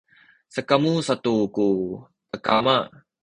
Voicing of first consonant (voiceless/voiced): voiceless